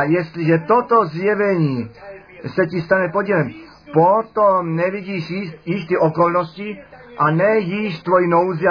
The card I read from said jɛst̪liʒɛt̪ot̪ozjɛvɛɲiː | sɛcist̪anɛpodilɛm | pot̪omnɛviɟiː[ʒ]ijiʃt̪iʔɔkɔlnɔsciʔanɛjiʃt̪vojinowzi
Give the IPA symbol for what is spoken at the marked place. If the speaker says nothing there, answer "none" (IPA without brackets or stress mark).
ʃ